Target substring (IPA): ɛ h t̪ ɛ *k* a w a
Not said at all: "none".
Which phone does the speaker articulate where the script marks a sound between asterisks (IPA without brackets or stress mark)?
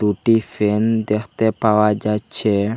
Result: p